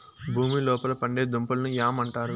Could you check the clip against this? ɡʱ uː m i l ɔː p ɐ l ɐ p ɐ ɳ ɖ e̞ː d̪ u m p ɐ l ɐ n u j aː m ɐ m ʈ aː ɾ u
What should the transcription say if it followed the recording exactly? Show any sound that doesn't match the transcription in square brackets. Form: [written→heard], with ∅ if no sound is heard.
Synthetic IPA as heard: [ɡʱ→bʱ] uː m i l ɔː p ɐ l ɐ p ɐ ɳ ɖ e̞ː d̪ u m p ɐ l ɐ n u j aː m ɐ [m→ɳ] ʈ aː ɾ u